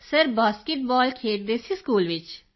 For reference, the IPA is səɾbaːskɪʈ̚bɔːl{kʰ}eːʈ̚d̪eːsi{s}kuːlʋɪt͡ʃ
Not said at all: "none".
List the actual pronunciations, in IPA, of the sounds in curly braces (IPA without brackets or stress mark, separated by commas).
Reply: kʰ, s